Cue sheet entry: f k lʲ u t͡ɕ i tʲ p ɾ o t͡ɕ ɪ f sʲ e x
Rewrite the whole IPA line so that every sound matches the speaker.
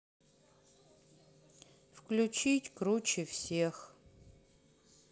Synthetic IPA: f k lʲ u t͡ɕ i tʲ k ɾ u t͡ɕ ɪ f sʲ e x